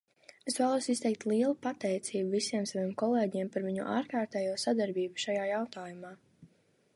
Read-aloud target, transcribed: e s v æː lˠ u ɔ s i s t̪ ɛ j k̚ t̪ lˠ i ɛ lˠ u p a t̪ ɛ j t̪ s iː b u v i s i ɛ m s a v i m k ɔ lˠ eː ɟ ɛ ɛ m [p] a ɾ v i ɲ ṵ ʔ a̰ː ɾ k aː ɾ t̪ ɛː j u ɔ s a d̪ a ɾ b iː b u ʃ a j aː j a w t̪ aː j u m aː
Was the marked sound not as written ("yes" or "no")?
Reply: no